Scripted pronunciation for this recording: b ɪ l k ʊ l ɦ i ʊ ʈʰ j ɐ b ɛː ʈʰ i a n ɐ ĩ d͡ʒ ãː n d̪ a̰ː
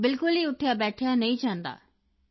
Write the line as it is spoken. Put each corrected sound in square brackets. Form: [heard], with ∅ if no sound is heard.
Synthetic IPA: b ɪ l k ʊ l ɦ i ʊ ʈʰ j [a] b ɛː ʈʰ [j] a n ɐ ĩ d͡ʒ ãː n d̪ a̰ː